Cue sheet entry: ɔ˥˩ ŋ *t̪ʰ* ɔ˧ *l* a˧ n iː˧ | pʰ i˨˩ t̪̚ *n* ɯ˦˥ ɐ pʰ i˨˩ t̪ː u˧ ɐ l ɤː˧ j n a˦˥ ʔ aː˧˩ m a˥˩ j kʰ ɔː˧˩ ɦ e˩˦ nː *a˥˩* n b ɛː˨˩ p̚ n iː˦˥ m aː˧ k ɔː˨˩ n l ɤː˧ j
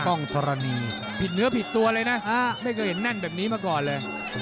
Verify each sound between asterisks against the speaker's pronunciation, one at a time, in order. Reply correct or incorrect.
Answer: correct, incorrect, correct, correct

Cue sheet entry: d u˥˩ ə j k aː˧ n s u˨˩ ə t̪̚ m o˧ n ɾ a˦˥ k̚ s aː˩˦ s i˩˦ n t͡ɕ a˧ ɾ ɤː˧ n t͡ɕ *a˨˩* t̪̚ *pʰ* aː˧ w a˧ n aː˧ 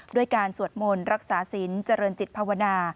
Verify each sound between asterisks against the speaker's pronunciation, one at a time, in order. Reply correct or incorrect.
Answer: incorrect, correct

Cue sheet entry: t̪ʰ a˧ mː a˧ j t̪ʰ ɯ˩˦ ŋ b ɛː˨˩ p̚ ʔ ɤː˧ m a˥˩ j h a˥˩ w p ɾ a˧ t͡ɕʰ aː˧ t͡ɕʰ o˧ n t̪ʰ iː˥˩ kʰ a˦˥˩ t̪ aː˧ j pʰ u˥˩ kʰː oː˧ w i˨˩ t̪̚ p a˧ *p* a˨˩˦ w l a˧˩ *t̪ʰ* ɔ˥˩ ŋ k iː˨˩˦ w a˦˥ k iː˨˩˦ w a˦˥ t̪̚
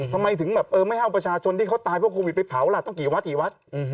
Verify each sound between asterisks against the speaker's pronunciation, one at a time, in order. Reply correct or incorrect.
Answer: incorrect, incorrect

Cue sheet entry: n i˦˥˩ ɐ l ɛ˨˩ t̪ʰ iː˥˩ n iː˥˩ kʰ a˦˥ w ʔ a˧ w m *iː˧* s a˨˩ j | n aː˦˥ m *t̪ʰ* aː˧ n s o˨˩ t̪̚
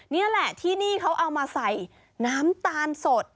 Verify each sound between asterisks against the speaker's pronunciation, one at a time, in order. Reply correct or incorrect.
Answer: incorrect, incorrect

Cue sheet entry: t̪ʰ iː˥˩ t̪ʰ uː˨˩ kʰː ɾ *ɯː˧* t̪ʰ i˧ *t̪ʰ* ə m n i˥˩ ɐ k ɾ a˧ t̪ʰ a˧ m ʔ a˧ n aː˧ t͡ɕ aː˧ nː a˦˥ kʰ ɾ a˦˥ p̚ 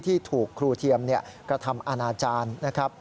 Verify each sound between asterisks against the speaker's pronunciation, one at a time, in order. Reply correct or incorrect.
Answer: incorrect, incorrect

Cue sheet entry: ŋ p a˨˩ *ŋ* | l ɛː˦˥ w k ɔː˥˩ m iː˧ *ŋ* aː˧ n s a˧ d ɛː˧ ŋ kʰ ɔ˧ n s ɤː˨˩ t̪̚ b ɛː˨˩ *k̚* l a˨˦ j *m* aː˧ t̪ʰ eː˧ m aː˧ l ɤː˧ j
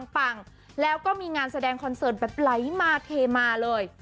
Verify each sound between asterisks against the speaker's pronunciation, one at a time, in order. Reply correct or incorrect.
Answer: correct, correct, incorrect, correct

